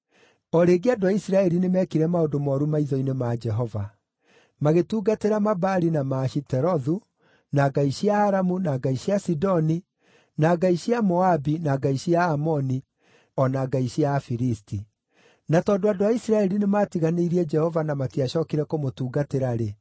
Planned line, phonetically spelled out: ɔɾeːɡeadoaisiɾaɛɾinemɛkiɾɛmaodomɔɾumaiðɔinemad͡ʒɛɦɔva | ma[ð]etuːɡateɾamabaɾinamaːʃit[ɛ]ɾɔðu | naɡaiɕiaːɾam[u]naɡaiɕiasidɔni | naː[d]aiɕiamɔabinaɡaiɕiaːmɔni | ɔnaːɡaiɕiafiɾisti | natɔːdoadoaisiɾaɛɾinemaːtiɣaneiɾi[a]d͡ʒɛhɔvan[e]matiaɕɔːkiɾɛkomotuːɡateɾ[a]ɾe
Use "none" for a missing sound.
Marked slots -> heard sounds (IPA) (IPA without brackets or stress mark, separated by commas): ɣ, ɛ, u, ɡ, ɛ, a, a